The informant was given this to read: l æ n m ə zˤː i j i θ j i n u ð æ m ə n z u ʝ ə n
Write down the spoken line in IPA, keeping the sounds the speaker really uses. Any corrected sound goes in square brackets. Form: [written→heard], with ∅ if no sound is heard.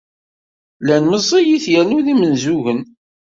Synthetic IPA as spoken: l æ n m ə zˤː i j i θ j [i→æ] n u ð [æ→i] m ə n z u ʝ ə n

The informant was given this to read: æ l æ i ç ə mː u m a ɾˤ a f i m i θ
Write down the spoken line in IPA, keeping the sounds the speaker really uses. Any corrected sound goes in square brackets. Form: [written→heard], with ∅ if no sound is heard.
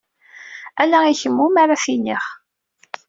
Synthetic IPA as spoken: æ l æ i ç ə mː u m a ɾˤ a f i [m→n] i [θ→χ]

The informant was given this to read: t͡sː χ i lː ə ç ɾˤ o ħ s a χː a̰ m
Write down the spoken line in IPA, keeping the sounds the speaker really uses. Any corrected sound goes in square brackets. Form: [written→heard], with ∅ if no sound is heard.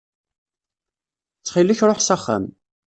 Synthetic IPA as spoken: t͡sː χ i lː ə ç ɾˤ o ħ s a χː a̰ m

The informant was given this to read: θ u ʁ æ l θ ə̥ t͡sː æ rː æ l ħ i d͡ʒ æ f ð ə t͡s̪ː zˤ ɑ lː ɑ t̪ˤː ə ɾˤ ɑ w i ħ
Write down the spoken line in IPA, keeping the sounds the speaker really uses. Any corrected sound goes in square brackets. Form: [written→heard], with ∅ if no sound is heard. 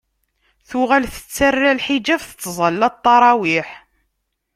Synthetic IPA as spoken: θ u ʁ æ l θ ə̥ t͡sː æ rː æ l ħ i d͡ʒ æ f [ð→θ] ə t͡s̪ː zˤ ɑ lː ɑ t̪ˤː [ə→ɑ] ɾˤ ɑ w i ħ

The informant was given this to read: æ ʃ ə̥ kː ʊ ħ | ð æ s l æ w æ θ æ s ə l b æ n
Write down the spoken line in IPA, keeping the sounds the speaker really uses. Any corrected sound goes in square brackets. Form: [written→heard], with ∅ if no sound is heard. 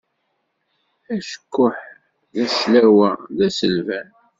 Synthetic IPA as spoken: æ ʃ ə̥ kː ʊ ħ | ð æ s l æ w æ [θ→ð] æ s ə l [b→v] æ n

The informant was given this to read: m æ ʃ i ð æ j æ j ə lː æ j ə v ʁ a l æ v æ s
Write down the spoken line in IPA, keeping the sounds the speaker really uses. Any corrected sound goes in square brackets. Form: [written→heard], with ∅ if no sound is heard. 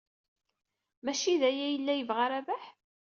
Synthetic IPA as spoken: m æ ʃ i ð æ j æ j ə lː æ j ə v ʁ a [l→ɾ] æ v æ [s→ħ]

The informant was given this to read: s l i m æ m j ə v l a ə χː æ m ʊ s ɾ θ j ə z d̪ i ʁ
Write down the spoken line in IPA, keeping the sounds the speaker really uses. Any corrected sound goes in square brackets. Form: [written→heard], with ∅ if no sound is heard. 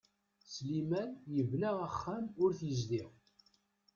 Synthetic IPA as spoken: s l i m æ [m→n] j ə v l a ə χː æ m ʊ [s→∅] ɾ θ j ə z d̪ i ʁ

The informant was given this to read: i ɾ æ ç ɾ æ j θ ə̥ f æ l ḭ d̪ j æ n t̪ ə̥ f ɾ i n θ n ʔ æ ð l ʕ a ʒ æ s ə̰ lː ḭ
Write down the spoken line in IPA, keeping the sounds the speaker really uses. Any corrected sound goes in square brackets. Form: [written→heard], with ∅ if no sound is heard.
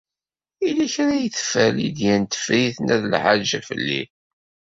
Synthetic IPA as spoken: i [ɾ→l] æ ç ɾ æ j θ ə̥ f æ l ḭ d̪ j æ n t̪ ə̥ f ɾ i [n→∅] θ n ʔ æ ð l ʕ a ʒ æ [s→f] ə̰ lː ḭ

